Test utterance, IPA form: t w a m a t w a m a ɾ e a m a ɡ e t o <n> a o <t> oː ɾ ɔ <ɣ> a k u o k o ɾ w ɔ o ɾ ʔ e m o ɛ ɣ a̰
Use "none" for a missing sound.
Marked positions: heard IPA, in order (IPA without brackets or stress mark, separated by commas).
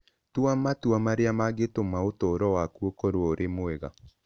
m, t, w